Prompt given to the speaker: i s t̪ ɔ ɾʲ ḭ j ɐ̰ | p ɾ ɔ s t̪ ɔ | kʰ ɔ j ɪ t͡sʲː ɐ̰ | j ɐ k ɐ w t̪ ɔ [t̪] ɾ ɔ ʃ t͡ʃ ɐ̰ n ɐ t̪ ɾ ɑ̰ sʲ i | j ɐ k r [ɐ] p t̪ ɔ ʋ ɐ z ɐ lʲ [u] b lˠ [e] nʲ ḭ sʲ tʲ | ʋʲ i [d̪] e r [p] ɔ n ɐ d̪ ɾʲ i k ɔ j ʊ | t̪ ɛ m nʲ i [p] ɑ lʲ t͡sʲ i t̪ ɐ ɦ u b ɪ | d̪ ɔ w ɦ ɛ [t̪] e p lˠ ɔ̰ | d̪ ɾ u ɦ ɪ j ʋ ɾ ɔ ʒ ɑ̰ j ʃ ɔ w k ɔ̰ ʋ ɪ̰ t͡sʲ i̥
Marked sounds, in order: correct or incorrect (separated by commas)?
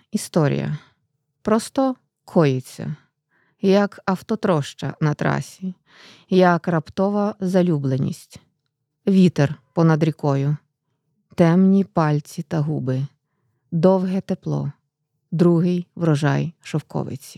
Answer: correct, correct, correct, correct, incorrect, correct, correct, correct